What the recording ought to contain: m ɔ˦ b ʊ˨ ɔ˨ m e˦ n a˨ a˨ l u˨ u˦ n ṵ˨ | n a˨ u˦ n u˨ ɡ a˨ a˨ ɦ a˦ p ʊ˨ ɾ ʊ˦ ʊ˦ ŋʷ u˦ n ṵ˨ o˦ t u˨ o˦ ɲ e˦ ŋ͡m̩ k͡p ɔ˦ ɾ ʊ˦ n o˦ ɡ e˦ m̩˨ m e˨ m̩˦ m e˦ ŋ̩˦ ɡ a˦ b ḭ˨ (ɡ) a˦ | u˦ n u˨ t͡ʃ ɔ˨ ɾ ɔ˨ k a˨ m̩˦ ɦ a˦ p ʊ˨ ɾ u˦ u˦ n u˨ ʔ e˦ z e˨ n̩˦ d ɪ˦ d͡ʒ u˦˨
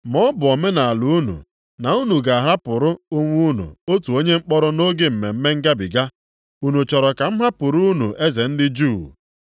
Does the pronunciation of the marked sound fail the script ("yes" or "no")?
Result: no